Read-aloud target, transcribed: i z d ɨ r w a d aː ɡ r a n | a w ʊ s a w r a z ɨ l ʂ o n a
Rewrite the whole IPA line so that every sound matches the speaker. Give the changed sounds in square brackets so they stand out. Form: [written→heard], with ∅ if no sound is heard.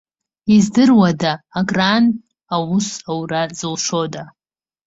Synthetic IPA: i z d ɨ r w a d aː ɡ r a n | a w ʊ s a w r a z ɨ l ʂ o [n→d] a

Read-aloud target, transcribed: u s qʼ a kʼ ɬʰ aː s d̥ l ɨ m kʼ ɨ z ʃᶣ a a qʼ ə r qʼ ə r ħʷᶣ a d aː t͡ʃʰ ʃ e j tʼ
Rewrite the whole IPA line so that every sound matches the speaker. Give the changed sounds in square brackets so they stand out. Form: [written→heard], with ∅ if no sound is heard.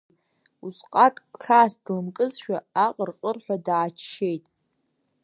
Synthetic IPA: u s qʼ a kʼ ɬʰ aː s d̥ l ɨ m kʼ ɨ z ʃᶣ a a qʼ ə r qʼ ə r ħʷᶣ a d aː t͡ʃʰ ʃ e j tʼ

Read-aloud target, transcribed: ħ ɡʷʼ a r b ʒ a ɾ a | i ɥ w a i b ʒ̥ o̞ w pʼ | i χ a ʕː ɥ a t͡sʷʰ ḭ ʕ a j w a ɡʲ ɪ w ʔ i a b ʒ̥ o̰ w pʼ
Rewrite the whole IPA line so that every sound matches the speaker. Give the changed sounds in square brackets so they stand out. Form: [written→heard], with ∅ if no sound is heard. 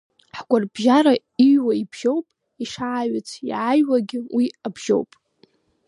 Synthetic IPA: ħ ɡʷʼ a r b ʒ a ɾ a | i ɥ w a i b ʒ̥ o̞ w pʼ | i [χ→ʂ] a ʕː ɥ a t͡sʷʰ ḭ ʕ a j w a ɡʲ ɪ w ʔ i a b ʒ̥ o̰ w pʼ

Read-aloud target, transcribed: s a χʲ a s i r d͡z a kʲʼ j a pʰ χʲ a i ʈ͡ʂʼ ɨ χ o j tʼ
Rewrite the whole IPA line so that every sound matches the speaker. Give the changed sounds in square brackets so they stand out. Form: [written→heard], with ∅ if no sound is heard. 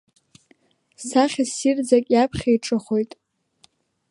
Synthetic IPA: s a χʲ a s i r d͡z a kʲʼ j a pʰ χʲ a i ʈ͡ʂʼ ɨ χ o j tʼ

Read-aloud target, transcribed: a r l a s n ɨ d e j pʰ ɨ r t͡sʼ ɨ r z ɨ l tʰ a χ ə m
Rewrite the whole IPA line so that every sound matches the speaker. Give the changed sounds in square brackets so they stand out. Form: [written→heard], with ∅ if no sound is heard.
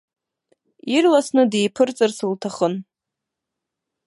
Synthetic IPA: [a→i] r l a s n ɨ d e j pʰ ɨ r t͡sʼ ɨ r [z→s] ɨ l tʰ a χ ə [m→n]

